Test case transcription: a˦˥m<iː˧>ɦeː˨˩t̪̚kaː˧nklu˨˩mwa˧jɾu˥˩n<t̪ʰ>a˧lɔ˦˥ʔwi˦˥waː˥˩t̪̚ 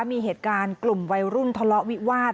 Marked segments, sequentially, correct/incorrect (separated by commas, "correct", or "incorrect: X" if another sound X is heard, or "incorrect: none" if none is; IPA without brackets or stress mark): correct, correct